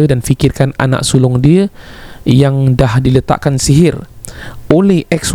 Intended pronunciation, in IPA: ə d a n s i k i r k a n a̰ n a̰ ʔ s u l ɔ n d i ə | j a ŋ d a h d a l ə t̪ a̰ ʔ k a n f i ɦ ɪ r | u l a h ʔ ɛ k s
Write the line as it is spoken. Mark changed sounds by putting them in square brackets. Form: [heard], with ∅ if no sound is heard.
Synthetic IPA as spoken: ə d a n [f] i k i r k a n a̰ n a̰ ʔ s u l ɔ [ŋ] d i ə | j a ŋ d a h d [i] l ə t̪ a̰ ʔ k a n [s] i ɦ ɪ r | [o] l [ɛ] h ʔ ɛ k s